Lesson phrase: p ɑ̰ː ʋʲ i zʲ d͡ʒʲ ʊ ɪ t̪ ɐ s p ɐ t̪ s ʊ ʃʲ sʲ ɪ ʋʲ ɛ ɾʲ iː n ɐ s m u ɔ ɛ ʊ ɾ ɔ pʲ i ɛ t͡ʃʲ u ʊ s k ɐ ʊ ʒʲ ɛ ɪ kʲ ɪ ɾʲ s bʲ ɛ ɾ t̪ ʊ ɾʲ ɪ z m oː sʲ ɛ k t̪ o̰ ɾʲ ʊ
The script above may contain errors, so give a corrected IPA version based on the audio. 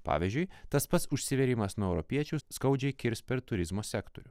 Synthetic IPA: p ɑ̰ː ʋʲ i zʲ d͡ʒʲ ʊ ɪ t̪ ɐ s p ɐ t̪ s ʊ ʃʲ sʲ ɪ ʋʲ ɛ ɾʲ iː m ɐ s n u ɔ ɛ ʊ ɾ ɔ pʲ i ɛ t͡ʃʲ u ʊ s k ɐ ʊ d͡ʒʲ ɛ ɪ kʲ ɪ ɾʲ s pʲ ɛ ɾ t̪ ʊ ɾʲ ɪ z m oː sʲ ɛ k t̪ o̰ ɾʲ ʊ